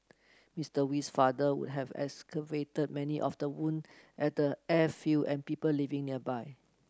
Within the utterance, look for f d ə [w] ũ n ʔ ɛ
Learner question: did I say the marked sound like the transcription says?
yes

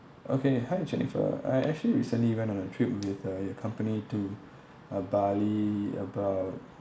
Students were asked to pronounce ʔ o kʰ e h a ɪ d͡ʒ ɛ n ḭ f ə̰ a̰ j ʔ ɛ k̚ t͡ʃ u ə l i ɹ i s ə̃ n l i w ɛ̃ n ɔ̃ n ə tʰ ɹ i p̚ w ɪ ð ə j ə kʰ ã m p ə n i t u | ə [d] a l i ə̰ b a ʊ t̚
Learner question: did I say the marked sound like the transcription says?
no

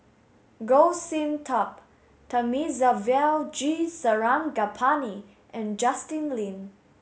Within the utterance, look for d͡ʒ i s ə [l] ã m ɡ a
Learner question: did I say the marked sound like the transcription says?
no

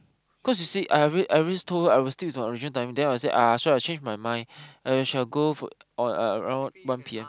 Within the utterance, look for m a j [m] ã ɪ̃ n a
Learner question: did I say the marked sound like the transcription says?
yes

